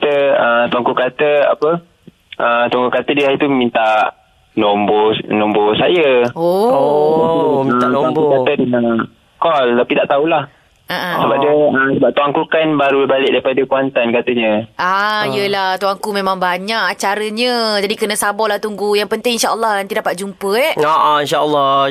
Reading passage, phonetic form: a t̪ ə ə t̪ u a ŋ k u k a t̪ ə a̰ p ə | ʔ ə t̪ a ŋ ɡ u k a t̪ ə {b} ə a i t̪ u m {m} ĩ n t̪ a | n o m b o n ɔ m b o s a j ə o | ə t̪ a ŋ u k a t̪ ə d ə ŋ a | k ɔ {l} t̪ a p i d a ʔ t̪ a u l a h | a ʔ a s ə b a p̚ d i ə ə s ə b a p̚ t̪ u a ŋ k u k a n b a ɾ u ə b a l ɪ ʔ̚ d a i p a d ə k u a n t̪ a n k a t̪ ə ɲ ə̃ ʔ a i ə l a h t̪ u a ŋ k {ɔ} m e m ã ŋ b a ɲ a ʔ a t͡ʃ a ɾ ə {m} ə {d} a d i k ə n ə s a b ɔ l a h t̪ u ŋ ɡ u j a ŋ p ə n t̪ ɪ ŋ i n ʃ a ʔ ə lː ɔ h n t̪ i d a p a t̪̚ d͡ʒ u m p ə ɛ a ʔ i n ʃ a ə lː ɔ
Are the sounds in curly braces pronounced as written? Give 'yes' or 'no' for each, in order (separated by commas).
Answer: no, yes, yes, no, no, no